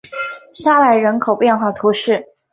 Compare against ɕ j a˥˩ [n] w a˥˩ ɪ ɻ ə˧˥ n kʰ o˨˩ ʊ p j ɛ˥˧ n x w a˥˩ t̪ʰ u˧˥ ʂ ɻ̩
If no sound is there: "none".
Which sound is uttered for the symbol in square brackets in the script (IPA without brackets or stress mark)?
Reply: none